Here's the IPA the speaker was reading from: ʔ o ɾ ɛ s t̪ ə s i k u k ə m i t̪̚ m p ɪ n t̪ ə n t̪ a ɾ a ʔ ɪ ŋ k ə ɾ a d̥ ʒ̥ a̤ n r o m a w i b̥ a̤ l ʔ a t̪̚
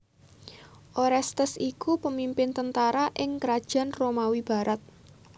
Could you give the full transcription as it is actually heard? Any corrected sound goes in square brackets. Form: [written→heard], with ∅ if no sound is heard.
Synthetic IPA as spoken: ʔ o ɾ ɛ s t̪ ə s i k u [k→p] ə m i [t̪̚→∅] m p ɪ n t̪ ə n t̪ a ɾ a ʔ ɪ ŋ k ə ɾ a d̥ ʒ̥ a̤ n r o m a w i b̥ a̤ [l→ɾ] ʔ a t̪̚